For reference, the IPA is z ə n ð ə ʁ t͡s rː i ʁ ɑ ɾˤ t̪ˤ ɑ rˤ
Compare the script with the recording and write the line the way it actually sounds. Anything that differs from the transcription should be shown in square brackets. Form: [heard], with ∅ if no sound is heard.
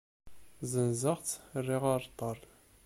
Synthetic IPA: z ə n [z] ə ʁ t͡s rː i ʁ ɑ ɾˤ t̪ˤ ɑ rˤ